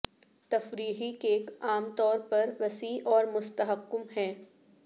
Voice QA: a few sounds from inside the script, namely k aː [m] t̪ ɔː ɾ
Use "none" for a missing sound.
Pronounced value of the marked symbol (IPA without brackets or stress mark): m